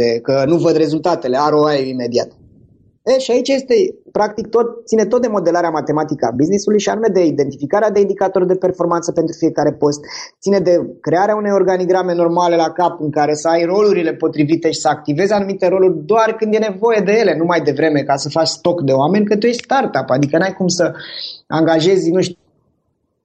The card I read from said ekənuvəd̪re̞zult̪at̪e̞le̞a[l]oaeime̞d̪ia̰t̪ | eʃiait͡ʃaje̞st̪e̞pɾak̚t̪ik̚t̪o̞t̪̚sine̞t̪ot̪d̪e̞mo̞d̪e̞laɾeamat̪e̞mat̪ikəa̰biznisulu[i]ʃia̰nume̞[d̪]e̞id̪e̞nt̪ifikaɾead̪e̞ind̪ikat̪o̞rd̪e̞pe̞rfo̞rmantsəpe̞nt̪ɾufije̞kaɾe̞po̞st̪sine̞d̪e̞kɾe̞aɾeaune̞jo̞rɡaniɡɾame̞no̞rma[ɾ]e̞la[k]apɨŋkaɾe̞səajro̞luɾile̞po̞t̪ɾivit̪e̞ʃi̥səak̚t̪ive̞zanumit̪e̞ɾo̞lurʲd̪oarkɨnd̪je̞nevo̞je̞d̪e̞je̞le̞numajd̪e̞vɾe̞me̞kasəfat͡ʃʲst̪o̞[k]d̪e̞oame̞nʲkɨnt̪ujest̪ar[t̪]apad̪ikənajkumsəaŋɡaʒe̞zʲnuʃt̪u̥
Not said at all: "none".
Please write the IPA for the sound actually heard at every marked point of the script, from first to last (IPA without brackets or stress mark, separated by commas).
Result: ɾ, j, d̪, l, k, k, t̪